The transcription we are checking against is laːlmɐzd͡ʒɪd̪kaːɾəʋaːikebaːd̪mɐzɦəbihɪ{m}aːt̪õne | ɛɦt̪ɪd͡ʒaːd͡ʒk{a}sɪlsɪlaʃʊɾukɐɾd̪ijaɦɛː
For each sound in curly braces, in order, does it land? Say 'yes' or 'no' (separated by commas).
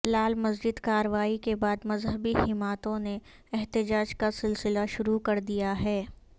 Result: yes, yes